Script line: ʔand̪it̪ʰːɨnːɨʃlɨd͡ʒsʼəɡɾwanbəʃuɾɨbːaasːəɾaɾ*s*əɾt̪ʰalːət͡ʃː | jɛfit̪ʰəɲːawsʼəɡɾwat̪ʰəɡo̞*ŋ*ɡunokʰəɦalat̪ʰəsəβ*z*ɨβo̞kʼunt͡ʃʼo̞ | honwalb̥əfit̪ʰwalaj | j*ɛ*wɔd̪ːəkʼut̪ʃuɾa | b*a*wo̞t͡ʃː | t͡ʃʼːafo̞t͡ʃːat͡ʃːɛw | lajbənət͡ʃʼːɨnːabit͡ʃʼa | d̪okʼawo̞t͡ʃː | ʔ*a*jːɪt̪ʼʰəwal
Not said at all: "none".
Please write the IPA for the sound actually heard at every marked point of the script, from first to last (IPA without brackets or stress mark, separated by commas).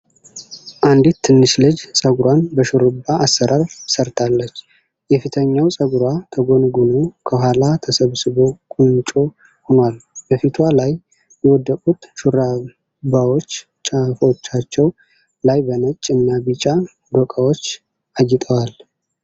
s, n, s, ɛ, a, a